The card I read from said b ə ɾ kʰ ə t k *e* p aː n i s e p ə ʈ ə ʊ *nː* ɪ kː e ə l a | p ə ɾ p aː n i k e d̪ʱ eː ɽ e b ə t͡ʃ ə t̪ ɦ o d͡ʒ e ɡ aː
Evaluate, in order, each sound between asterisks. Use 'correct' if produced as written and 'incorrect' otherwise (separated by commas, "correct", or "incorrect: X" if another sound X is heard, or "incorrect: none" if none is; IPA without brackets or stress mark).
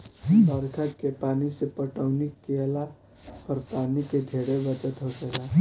correct, incorrect: n